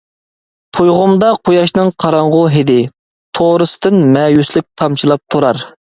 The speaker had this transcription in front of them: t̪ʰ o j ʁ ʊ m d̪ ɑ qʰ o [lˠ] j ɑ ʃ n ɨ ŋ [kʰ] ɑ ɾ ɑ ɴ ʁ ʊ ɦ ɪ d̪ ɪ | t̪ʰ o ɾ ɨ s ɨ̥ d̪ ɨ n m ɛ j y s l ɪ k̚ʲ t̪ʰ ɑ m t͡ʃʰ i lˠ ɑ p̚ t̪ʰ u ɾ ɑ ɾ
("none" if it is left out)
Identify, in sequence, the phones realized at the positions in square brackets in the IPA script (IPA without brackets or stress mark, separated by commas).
none, qʰ